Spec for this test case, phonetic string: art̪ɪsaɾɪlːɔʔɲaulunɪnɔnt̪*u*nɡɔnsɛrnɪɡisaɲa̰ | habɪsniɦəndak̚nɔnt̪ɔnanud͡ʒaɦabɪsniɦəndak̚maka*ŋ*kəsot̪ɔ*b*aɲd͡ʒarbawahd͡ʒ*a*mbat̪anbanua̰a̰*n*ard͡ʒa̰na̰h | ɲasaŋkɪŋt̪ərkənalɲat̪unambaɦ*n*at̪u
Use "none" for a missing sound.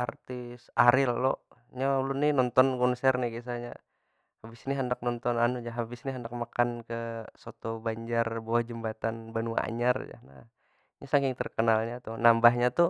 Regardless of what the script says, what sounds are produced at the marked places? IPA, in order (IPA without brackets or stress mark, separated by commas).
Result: ɔ, n, b, ə, ɲ, ɲ